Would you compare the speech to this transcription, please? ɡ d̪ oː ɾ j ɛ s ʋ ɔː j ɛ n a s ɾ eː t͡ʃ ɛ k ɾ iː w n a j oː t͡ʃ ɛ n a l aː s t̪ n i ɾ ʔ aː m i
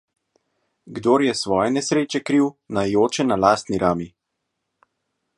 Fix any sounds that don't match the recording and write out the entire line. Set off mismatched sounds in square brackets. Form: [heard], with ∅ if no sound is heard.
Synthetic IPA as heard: ɡ d̪ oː ɾ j ɛ s ʋ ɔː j ɛ n [ɛ] s ɾ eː t͡ʃ ɛ k ɾ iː w n a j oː t͡ʃ ɛ n a l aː s t̪ n i ɾ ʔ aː m i